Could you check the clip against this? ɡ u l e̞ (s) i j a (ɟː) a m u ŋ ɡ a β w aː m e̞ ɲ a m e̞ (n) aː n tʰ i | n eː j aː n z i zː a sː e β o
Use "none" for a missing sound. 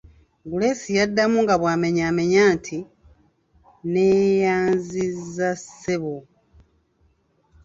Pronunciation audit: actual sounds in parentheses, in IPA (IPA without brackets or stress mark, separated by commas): s, dː, ɲ